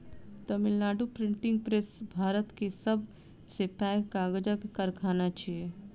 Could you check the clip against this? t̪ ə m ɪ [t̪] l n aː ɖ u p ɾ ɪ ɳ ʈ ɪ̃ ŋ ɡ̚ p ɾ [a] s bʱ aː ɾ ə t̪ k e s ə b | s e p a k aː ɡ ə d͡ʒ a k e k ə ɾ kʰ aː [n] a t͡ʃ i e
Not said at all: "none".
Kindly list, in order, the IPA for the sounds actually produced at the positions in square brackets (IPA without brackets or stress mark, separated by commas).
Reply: none, e, n